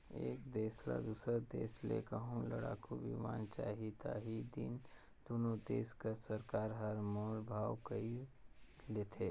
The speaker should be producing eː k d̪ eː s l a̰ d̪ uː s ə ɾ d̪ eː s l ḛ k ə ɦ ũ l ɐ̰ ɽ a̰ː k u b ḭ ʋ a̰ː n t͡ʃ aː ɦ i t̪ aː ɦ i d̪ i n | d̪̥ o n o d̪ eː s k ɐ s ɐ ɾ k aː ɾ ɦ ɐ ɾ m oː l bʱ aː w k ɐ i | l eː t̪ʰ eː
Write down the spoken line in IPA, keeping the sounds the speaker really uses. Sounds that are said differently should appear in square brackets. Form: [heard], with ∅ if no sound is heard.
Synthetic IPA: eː k d̪ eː s l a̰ d̪ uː s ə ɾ d̪ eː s l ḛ k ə ɦ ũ l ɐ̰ ɽ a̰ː k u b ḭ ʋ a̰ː n t͡ʃ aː ɦ i t̪ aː ɦ i d̪ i n | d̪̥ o n o d̪ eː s k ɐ s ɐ ɾ k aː ɾ ɦ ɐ ɾ m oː l bʱ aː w k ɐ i | l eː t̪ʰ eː